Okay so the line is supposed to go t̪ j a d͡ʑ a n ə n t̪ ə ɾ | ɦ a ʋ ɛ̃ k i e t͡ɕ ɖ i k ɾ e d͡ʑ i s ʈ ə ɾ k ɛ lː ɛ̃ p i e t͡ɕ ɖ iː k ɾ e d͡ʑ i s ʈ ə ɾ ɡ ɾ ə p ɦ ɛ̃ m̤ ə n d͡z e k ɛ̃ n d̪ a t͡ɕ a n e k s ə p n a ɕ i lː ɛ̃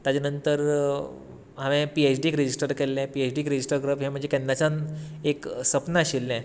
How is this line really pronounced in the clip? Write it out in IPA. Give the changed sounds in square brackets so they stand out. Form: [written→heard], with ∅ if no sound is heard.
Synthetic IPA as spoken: t̪ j a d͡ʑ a n ə n t̪ ə ɾ | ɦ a ʋ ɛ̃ [k→p] i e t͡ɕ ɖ i k ɾ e d͡ʑ i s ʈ ə ɾ k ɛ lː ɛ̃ p i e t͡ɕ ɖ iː k ɾ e d͡ʑ i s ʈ ə ɾ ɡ ɾ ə p ɦ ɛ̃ m̤ ə [n→ɳ] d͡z e k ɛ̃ n d̪ a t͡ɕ a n e k s ə p n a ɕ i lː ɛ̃

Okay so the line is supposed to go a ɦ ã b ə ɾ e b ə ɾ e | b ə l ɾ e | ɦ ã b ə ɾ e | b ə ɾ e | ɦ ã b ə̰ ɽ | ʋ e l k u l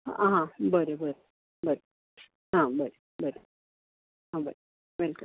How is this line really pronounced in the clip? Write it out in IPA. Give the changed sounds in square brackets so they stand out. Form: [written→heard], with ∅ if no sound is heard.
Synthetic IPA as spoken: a ɦ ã b ə ɾ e b ə ɾ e | b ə [l→∅] ɾ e | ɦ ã b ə ɾ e | b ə ɾ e | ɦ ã b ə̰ [ɽ→ɾ] | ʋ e l k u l

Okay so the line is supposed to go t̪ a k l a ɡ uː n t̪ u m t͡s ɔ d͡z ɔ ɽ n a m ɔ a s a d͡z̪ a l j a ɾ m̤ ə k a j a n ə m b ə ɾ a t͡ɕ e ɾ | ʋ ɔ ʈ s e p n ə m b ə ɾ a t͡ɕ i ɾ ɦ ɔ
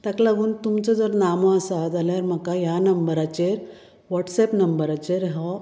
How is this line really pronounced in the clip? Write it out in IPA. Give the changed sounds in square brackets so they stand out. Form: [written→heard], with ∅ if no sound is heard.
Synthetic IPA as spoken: t̪ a k l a ɡ uː n t̪ u m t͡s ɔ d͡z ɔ [ɽ→ɾ] n a m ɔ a s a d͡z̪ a l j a ɾ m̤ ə k a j a n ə m b ə ɾ a t͡ɕ e ɾ | ʋ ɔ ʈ s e p n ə m b ə ɾ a t͡ɕ [i→e] ɾ ɦ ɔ

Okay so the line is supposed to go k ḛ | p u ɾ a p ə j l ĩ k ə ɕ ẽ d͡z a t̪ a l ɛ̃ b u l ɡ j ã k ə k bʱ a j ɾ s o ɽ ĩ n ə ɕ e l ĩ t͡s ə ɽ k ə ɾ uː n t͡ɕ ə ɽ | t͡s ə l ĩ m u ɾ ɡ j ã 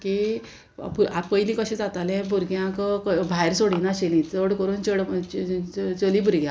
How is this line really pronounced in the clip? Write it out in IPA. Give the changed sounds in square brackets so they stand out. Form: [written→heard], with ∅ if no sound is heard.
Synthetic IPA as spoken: k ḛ | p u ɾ a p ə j l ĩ k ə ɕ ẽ d͡z a t̪ a l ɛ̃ b u [l→ɾ] ɡ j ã k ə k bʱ a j ɾ s o ɽ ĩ n [ə→a] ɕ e l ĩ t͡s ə ɽ k ə ɾ uː n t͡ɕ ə ɽ | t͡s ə l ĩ [m→b] u ɾ ɡ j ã

